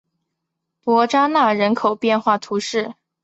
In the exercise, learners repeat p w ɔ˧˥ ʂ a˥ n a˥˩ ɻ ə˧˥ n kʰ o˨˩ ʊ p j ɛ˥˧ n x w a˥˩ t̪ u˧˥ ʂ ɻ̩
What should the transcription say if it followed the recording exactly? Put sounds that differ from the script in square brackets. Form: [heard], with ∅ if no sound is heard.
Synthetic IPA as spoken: p w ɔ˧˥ [ʈ͡ʂ] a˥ n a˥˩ ɻ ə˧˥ n kʰ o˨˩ ʊ p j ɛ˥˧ n x w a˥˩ [t̪ʰ] u˧˥ ʂ ɻ̩